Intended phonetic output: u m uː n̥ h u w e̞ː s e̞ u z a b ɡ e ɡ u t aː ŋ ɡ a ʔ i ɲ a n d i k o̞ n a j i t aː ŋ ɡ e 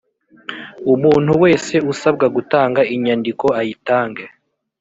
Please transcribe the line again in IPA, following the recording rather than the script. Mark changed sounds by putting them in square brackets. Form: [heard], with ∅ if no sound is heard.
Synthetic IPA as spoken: u m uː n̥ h u w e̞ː s e̞ u [s] a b ɡ [a] ɡ u t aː ŋ ɡ a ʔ i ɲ a n d i k o̞ [∅] a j i t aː ŋ ɡ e